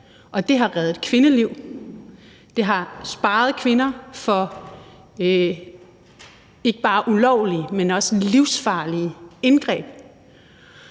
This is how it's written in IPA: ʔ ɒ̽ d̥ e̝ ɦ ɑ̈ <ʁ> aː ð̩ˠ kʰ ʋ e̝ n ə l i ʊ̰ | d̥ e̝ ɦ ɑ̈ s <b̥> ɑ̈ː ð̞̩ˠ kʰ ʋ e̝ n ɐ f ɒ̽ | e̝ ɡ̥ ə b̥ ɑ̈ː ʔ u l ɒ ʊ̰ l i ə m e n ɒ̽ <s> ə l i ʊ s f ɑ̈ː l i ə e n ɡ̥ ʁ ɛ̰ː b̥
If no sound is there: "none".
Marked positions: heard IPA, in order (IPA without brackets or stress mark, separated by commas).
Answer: ʁ, b̥, s